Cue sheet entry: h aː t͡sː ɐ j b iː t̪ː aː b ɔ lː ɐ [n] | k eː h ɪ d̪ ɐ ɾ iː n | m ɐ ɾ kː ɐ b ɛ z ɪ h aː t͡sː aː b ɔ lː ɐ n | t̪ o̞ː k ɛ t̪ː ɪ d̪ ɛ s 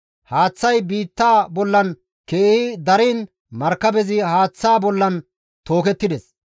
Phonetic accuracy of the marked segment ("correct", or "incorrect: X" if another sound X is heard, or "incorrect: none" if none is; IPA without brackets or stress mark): correct